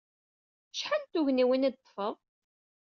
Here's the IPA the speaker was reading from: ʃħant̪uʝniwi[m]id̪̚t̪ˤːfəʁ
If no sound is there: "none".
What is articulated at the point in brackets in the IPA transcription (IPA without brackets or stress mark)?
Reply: n